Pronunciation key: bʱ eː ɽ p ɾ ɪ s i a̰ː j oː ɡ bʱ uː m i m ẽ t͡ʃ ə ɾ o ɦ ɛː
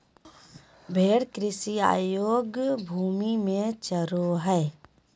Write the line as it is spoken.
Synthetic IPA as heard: bʱ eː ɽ k ɾ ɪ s i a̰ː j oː ɡ bʱ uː m i m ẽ t͡ʃ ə ɾ o ɦ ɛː